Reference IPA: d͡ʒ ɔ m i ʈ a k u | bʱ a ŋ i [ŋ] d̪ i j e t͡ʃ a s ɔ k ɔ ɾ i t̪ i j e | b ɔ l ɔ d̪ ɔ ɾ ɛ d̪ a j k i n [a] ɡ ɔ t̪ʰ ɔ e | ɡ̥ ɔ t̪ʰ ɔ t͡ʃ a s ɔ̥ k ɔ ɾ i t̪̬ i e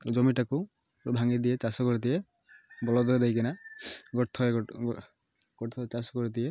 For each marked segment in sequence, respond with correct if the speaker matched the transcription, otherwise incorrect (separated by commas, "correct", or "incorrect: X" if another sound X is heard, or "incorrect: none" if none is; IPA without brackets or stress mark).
incorrect: none, correct